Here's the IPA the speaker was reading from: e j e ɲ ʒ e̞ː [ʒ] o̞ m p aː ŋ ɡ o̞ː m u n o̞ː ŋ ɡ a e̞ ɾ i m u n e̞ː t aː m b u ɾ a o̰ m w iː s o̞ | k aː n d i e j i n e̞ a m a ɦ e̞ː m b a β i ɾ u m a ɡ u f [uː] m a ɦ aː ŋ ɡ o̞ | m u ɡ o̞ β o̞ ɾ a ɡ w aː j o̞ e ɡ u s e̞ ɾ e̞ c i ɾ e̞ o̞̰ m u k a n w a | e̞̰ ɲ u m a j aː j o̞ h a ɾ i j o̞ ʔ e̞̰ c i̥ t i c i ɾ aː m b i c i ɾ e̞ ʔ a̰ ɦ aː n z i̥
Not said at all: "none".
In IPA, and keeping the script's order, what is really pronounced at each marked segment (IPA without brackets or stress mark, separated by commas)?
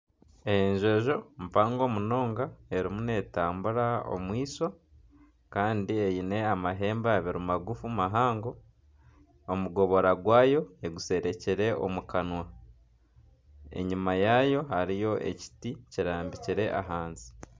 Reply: ʒ, u